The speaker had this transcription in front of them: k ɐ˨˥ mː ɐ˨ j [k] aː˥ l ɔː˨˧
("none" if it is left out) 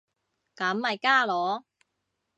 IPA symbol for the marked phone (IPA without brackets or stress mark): k